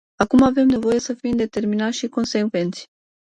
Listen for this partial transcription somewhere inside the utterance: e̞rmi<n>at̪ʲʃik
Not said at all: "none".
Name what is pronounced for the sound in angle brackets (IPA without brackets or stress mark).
n